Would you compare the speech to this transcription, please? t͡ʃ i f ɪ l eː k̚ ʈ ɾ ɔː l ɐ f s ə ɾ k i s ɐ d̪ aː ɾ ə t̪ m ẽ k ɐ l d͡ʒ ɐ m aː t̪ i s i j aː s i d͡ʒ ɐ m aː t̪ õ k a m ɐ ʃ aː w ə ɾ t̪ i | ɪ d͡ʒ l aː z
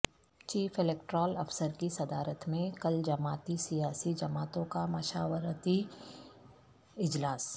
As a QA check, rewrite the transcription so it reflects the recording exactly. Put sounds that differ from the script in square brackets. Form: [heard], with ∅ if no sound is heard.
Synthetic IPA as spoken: t͡ʃ [iː] f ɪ l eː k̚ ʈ ɾ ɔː l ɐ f s ə ɾ k i s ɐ d̪ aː ɾ ə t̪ m ẽ k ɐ l d͡ʒ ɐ m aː t̪ i s i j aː s i d͡ʒ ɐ m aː t̪ õ k a m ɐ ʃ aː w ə ɾ t̪ i | ɪ d͡ʒ l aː [s]